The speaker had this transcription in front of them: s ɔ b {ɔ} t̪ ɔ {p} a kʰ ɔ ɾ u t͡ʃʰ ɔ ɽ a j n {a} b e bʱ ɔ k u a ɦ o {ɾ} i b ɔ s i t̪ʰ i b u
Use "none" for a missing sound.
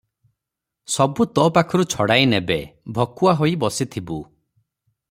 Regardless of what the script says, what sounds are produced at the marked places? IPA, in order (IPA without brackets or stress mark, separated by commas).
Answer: u, p, e, none